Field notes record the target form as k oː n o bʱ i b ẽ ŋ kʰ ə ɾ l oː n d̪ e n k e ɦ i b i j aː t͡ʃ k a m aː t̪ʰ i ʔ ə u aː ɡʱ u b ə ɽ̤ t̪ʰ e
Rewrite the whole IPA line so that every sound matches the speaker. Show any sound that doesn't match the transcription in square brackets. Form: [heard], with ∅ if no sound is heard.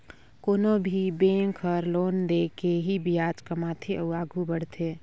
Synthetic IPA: k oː n o bʱ i b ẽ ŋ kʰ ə ɾ l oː n d̪ e [∅] k e ɦ i b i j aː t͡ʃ k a m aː t̪ʰ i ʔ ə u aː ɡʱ u b ə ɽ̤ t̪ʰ e